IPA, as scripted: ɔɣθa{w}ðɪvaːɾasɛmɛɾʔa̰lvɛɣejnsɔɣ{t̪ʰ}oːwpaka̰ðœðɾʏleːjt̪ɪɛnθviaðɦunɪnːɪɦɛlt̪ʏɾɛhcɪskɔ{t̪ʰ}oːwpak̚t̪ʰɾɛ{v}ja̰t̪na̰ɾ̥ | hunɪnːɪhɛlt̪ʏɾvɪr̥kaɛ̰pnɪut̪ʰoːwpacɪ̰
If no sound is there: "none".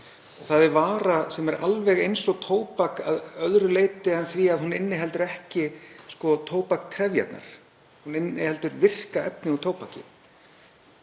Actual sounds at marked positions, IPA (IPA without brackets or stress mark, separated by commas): none, t̪ʰ, t̪ʰ, v